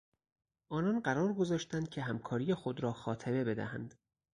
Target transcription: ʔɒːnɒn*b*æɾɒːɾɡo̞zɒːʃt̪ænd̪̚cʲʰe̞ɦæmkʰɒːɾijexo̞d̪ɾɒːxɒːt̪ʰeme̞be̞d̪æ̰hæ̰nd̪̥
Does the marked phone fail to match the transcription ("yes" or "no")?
yes